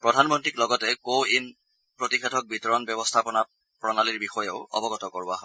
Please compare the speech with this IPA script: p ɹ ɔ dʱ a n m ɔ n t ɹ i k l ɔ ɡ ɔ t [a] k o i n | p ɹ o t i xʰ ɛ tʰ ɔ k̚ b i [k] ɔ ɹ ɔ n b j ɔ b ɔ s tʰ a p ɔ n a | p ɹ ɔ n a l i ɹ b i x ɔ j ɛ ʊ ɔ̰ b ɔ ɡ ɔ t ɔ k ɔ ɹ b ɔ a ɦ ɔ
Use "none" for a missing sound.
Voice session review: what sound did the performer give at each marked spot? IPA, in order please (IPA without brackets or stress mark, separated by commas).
ɛ, t